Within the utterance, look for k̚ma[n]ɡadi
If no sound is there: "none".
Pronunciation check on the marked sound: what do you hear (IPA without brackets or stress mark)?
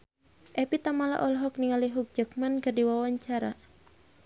n